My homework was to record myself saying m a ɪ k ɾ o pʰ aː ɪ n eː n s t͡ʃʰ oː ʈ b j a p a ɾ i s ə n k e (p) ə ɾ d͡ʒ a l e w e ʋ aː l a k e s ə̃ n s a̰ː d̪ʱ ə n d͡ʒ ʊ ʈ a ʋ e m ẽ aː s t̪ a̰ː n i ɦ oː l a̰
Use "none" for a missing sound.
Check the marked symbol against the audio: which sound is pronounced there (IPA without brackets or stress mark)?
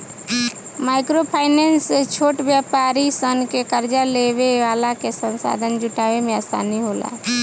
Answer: k